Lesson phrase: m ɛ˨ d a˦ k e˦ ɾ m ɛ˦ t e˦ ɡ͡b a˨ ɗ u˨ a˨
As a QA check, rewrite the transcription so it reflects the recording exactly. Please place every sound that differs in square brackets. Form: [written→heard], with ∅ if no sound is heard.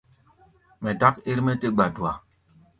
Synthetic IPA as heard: m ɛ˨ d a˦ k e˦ ɾ m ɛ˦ t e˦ ɡ͡b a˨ [ɗ→d] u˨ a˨